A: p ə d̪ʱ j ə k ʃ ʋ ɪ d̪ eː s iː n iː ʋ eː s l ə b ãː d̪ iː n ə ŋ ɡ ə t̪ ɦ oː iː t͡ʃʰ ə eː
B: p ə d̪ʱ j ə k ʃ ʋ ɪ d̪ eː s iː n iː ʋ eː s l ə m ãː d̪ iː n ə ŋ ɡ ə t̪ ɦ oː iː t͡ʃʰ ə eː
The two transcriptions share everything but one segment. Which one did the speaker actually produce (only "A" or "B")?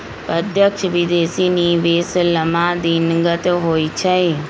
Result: B